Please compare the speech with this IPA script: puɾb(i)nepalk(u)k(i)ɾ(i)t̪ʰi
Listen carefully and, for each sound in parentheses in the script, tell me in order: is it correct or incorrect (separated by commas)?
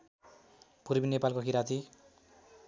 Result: correct, incorrect, correct, incorrect